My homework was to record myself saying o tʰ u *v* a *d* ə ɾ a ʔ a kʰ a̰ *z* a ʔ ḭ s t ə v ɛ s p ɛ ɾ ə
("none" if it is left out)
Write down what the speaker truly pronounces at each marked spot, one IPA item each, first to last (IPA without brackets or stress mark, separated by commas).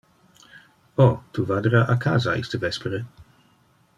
v, d, z